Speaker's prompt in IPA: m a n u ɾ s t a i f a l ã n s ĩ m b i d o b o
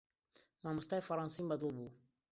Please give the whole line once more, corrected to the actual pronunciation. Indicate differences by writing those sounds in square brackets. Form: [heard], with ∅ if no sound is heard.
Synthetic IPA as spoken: m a [m] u [∅] s t a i f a [ɾ] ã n s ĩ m b [a] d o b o